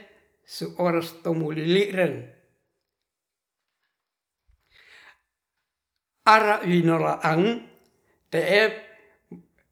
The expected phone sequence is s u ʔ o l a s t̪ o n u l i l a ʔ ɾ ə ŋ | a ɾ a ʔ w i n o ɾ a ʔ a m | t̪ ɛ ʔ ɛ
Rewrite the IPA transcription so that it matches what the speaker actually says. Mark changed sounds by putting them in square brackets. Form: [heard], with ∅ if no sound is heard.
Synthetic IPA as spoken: s u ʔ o [ɾ] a s t̪ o [m] u l i l [i] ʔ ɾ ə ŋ | a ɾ a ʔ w i n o [l] a ʔ a [ŋ] | t̪ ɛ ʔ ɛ